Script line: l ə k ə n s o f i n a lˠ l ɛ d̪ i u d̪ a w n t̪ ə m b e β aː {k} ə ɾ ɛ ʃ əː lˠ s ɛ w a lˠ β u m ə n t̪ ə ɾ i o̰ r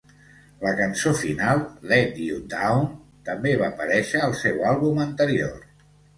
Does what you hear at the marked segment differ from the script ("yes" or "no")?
yes